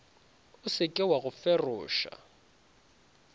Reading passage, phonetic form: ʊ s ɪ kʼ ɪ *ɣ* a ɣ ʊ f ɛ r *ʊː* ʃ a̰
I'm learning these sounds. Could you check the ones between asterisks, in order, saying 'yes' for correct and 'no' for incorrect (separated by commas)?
no, yes